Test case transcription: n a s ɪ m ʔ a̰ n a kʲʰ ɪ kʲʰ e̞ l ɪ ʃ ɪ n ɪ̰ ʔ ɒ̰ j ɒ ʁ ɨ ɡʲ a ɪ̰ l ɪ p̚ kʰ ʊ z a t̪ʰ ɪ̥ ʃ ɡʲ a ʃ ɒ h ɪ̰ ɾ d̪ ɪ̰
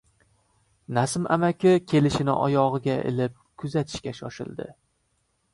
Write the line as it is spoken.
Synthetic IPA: n a s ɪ m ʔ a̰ m a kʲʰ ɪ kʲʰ e̞ l ɪ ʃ ɪ n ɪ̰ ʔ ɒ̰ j ɒ ʁ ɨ ɡʲ a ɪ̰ l ɪ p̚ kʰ ʊ z a t̪ʰ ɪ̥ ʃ kʲ a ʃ ɒ ʃ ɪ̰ l d̪ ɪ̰

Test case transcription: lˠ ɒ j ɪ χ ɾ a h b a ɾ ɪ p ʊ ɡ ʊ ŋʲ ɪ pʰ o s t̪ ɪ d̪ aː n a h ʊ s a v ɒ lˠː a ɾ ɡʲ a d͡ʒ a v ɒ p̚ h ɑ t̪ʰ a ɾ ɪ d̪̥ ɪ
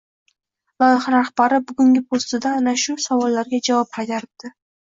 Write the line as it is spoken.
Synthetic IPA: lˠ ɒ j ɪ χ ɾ a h b a ɾ ɪ b ʊ ɡ ʊ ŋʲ ɪ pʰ o s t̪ ɪ d̪ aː n a ʃ ʊ s a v ɒ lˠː a ɾ ɡʲ a d͡ʒ a v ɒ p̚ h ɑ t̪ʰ a ɾ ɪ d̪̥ ɪ

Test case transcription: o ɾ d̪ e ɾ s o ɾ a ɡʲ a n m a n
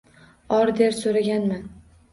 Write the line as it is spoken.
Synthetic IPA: ɒ ɾ d̪ e ɾ s o ɾ a ɡʲ a n m a n

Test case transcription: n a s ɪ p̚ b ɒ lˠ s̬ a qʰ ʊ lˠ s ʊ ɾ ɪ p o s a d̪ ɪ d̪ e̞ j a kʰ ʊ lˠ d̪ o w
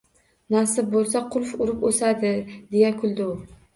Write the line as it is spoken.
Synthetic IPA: n a s ɪ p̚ b o lˠ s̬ a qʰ ʊ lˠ f ʊ ɾ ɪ p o s a d̪ ɪ d̪ e̞ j a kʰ ʊ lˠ d̪ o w

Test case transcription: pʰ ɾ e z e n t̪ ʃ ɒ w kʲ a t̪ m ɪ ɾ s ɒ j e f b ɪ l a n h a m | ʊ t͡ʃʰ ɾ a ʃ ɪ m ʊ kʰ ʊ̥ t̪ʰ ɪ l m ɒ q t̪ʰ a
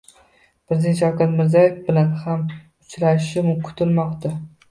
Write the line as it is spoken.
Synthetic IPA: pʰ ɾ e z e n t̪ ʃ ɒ w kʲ a t̪ m ɪ ɾ z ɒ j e f b ɪ l a n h a m | ʊ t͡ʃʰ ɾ a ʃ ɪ m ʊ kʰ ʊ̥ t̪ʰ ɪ l m ɒ q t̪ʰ a

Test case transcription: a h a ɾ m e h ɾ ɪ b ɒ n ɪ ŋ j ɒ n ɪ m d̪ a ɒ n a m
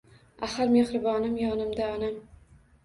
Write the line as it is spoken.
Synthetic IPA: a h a ɾ m e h ɾ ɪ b ɒ n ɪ m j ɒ n ɪ m d̪ a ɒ n a m

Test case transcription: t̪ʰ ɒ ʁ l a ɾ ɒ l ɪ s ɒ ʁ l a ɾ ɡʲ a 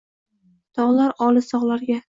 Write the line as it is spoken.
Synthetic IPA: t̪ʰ ɒ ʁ l a ɾ ɒ l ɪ s ɒ ʁ l a ɾ ɡʲ a

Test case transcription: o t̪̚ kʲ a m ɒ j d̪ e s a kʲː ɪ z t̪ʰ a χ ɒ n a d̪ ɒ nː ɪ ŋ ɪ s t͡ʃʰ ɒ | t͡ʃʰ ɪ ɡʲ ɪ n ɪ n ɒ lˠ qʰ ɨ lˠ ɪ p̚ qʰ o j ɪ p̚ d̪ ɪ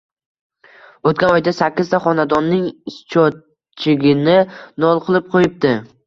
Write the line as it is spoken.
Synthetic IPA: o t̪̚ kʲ a n ɒ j d̪ a s a kʲː ɪ z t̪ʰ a χ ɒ n a d̪ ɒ nː ɪ ŋ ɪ s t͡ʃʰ ɒ | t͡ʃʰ ɪ ɡʲ ɪ n ɪ n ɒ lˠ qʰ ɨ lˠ ɪ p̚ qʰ o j ɪ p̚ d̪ ɪ

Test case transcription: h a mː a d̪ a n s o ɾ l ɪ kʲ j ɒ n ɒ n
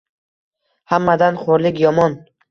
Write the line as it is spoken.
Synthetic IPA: h a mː a d̪ a n χ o ɾ l ɪ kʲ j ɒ m ɒ n

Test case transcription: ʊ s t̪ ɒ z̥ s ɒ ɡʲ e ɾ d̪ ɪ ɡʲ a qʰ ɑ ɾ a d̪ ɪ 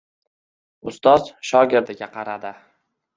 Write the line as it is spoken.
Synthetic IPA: ʊ s t̪ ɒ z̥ ʃ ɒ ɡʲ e ɾ d̪ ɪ ɡʲ a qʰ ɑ ɾ a d̪ ɪ

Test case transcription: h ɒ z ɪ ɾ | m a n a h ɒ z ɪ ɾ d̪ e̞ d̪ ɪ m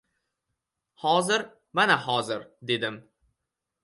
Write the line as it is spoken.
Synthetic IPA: h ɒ z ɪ ɾ | m a n a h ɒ z ɪ ɾ d̪ e̞ d̪ ɪ m

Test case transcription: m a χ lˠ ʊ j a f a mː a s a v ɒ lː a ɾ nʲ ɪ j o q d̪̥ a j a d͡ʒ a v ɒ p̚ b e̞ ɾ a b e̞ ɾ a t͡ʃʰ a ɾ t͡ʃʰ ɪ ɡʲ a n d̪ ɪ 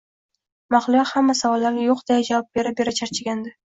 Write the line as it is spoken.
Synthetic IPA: m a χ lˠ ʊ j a h a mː a s a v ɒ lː a ɾ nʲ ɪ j o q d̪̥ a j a d͡ʒ a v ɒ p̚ b e̞ ɾ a b e̞ ɾ a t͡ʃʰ a ɾ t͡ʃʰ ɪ ɡʲ a n d̪ ɪ

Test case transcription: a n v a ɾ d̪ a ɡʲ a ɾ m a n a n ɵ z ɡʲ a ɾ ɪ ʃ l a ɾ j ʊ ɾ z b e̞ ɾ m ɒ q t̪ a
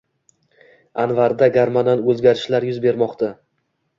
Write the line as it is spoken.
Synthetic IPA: a n v a ɾ d̪ a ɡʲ a ɾ m a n a n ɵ z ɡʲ a ɾ ɪ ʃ l a ɾ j ʊ z b e̞ ɾ m ɒ q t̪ a

